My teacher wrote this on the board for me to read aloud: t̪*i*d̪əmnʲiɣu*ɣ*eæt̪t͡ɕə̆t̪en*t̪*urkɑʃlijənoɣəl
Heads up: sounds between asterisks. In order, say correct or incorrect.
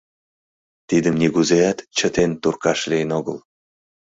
correct, incorrect: z, correct

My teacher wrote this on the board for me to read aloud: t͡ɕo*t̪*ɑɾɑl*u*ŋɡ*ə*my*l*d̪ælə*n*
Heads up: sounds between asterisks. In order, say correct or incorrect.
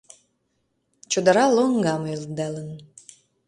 incorrect: d̪, incorrect: o, incorrect: ɑ, correct, correct

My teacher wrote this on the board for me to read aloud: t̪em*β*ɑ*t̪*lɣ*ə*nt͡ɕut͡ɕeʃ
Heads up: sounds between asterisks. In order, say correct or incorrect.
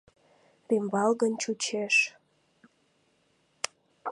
incorrect: b, incorrect: none, correct

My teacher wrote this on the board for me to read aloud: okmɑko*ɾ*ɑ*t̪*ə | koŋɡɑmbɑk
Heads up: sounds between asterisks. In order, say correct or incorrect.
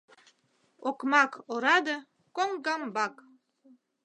correct, incorrect: d̪

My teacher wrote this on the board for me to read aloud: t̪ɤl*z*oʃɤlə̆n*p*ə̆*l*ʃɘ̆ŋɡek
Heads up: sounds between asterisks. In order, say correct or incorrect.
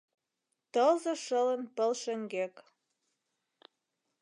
correct, correct, correct

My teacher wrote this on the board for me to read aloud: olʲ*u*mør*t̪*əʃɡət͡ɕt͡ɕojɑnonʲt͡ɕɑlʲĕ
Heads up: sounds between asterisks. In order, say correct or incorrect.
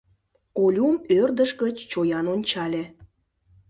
correct, incorrect: d̪

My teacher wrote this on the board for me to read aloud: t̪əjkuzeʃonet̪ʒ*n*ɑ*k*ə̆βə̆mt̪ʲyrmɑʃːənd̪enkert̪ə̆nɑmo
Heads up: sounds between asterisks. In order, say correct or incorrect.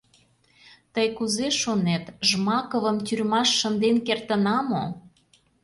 incorrect: m, correct

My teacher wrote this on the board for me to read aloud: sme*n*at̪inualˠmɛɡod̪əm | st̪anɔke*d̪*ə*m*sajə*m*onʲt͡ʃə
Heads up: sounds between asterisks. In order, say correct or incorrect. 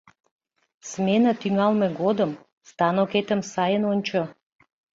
correct, incorrect: t̪, correct, incorrect: n

